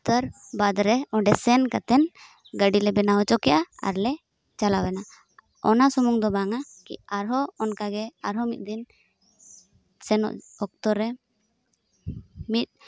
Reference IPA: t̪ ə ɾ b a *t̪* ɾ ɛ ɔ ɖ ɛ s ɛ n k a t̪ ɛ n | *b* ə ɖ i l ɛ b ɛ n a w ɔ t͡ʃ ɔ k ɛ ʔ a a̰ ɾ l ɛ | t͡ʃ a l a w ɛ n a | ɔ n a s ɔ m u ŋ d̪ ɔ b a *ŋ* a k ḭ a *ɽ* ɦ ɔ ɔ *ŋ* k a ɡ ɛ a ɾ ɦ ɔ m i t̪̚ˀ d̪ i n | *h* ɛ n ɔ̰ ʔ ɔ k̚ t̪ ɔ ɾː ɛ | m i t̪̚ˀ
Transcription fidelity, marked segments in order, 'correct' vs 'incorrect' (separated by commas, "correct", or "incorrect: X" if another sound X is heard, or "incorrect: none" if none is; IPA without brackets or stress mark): incorrect: d̪, incorrect: ɡ, correct, incorrect: ɾ, incorrect: n, incorrect: s